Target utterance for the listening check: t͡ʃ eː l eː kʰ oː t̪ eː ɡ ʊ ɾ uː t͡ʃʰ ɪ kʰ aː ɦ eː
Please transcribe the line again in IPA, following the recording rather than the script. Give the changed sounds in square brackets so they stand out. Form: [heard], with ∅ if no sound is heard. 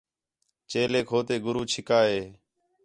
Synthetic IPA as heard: t͡ʃ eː l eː kʰ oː t̪ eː ɡ ʊ ɾ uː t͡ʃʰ ɪ [k] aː ɦ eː